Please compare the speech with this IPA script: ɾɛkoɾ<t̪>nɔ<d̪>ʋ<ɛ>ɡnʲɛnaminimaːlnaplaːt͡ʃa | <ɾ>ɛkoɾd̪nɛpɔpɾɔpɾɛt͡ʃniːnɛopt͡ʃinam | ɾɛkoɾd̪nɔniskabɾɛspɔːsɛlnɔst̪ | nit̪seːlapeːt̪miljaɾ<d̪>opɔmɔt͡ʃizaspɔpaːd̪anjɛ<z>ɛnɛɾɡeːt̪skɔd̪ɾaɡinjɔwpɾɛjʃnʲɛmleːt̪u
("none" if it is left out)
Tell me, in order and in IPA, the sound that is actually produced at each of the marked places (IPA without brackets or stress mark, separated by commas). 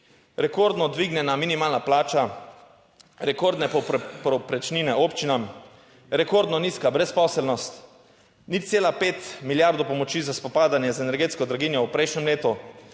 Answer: d̪, d̪, i, ɾ, d̪, z